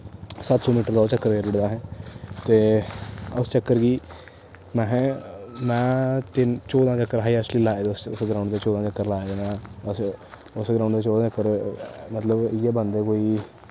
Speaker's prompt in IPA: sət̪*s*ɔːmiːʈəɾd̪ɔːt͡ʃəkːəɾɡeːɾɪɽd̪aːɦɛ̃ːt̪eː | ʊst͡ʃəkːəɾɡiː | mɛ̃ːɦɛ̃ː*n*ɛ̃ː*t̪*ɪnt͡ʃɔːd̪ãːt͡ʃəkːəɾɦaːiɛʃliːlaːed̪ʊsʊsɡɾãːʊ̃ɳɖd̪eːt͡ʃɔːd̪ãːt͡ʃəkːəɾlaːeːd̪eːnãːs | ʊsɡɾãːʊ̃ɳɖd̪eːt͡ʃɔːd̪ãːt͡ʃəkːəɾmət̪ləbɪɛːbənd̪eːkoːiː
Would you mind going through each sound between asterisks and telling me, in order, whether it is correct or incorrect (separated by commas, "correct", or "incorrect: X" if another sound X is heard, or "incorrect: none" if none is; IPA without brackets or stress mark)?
correct, incorrect: m, correct